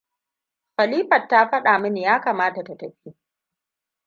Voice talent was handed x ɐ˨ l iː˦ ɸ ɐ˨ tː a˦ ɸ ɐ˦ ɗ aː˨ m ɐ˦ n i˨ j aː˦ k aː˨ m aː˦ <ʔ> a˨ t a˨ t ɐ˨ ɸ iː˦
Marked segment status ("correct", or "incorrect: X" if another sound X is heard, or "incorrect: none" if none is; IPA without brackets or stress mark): incorrect: t